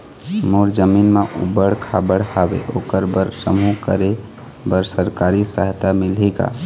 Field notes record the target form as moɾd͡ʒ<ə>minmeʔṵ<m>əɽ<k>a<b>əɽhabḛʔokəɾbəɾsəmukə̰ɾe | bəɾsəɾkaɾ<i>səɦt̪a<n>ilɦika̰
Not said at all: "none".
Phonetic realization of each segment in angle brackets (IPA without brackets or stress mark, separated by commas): ə, b, kʰ, b, i, m